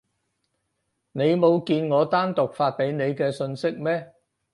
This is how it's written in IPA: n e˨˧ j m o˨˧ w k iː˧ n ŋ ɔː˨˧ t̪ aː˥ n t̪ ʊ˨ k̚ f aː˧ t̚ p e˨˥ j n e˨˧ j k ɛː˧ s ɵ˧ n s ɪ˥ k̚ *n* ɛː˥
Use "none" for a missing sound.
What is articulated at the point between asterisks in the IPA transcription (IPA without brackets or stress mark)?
m